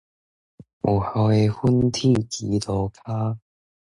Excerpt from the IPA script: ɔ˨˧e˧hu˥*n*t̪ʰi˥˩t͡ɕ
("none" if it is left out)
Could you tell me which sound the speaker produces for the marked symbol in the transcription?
n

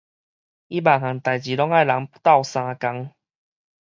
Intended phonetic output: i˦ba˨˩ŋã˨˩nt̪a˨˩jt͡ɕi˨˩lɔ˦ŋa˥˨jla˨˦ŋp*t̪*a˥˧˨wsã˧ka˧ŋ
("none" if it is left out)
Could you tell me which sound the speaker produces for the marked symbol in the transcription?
t̪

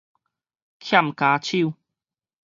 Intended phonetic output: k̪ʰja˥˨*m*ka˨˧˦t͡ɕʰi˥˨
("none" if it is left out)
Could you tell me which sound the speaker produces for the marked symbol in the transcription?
m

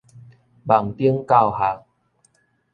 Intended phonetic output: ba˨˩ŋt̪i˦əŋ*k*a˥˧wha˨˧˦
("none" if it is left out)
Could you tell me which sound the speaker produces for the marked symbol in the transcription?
k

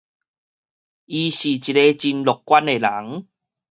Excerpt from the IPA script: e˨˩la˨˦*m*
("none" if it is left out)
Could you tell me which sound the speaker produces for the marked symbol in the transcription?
ŋ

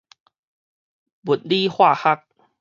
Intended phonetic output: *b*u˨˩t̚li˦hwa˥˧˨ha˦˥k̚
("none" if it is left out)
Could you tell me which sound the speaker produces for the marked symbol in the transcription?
b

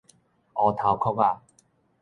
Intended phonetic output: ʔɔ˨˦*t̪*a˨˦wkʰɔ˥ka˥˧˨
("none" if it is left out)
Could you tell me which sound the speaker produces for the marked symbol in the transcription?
t̪ʰ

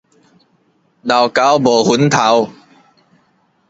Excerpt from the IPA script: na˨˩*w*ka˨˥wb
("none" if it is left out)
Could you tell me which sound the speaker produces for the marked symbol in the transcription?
w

